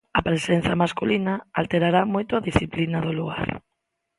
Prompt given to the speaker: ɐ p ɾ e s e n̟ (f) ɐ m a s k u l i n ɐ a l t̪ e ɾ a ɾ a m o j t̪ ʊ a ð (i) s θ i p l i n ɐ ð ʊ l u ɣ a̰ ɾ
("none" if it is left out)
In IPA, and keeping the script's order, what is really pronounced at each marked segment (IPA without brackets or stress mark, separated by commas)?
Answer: θ, i